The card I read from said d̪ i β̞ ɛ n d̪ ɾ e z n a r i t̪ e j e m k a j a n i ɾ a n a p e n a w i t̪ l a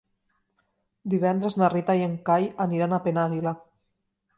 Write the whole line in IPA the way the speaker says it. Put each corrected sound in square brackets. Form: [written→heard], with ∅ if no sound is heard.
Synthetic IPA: d̪ i β̞ ɛ n d̪ ɾ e z n a r i t̪ [e→a] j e [m→ŋ] k a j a n i ɾ a n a p e n a [w→ɣ] i [t̪→∅] l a